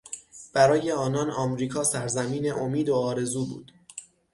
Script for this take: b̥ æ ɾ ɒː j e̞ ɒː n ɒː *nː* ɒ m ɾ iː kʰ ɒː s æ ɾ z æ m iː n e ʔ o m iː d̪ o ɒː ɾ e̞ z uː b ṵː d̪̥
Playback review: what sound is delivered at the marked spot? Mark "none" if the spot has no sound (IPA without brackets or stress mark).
n